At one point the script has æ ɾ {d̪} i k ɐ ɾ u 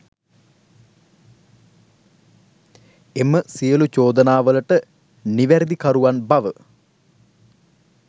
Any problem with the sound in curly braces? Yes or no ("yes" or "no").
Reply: no